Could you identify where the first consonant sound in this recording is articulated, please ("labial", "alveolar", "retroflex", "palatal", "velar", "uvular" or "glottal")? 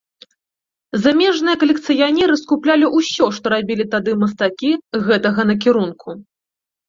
alveolar